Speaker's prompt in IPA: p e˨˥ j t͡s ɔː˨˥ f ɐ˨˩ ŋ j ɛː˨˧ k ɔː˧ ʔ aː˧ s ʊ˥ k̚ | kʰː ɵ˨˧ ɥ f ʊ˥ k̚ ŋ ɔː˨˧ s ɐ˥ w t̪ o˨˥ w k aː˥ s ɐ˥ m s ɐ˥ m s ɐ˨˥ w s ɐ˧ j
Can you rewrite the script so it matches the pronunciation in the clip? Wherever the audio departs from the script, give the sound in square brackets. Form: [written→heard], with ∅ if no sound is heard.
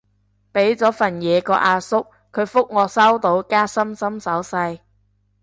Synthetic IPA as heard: p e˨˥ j t͡s ɔː˨˥ f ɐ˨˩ [ŋ→n] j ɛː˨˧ k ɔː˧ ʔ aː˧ s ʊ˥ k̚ | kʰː ɵ˨˧ ɥ f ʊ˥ k̚ ŋ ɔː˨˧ s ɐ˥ w t̪ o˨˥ w k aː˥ s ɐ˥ m s ɐ˥ m s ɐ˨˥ w s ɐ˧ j